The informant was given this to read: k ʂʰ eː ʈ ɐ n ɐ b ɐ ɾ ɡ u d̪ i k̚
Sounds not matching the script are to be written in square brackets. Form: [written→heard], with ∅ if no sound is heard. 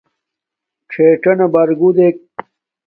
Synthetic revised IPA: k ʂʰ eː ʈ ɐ n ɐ b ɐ ɾ ɡ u d̪ [i→e] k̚